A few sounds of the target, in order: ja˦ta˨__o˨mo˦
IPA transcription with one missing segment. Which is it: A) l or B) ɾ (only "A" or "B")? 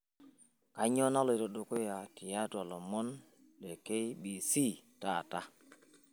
A